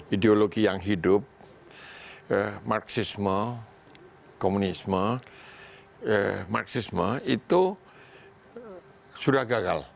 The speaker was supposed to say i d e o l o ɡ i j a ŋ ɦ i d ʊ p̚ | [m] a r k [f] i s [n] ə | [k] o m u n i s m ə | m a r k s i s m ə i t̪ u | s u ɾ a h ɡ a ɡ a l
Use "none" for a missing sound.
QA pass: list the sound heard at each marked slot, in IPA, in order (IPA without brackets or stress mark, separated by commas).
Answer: m, s, m, k